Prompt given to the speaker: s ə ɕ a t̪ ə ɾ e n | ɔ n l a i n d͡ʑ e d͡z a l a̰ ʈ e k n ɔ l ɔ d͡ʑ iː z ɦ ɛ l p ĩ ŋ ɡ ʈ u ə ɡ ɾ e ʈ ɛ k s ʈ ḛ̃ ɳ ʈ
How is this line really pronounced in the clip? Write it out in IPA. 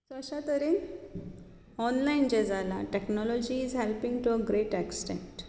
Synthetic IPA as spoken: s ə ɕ a t̪ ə ɾ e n | ɔ n l a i n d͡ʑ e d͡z a l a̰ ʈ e k n ɔ l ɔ d͡ʑ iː z ɦ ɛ l p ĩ ŋ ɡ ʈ u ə ɡ ɾ e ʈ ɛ k s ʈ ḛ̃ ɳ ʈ